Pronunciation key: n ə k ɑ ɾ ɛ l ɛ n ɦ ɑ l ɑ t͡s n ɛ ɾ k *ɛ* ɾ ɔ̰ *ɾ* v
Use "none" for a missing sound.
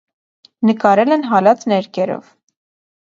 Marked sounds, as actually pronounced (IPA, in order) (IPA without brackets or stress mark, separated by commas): ɛ, none